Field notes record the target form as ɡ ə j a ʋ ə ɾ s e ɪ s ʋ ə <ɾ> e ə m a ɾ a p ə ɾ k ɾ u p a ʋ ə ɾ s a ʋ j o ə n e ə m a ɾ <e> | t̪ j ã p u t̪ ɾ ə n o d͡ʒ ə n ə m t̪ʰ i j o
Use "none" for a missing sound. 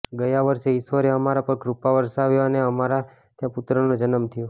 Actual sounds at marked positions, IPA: ɾ, a

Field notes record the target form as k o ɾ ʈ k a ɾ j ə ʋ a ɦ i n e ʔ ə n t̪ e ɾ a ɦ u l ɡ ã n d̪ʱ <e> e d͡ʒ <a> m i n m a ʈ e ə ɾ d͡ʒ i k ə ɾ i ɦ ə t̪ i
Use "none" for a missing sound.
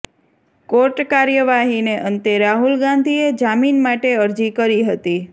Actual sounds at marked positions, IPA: i, a

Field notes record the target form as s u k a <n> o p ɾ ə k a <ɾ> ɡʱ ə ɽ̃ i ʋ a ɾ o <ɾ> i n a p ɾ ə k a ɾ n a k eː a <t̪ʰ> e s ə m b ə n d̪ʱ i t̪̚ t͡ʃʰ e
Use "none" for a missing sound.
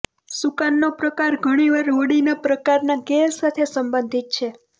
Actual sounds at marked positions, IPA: nː, ɾ, ɽ, t̪ʰ

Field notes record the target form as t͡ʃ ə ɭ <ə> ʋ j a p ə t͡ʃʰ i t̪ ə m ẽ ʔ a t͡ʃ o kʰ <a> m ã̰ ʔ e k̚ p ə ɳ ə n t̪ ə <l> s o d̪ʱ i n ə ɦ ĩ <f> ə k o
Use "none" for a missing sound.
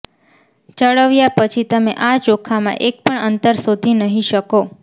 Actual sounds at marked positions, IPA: ə, a, ɾ, ʃ

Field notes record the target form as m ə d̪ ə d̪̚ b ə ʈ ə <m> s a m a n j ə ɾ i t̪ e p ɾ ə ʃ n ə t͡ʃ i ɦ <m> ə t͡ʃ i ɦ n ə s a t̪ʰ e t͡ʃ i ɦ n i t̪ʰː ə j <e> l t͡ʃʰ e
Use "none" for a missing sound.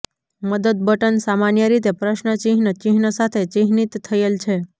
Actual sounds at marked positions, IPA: n, n, e

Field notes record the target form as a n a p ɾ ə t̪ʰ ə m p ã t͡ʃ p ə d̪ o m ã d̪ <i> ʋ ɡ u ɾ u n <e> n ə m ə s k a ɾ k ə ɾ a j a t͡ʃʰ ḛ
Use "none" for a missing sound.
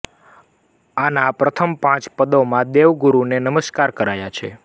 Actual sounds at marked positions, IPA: e, e

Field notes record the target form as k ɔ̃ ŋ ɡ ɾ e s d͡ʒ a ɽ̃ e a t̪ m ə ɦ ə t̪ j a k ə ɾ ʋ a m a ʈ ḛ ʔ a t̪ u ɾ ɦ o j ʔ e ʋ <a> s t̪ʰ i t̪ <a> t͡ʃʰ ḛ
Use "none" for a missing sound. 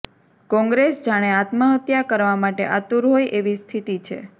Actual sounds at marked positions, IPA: i, i

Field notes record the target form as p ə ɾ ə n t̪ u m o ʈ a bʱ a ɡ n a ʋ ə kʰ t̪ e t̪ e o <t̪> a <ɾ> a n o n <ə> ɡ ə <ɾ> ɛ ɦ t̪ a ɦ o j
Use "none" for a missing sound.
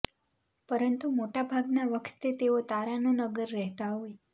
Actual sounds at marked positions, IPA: t̪, ɾ, ə, ɾː

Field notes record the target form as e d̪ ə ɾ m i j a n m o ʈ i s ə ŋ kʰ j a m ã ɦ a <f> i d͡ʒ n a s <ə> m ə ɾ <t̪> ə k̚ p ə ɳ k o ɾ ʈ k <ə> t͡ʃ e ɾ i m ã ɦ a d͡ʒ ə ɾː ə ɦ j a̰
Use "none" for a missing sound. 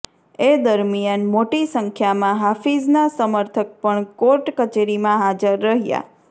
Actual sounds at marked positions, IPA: f, ə, t̪ʰ, ə

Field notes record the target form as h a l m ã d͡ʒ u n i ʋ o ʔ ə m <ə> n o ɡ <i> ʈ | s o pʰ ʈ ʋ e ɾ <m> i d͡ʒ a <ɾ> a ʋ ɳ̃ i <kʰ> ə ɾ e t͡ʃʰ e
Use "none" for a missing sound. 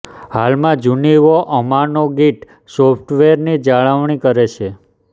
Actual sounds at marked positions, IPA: a, i, n, ɭ, k

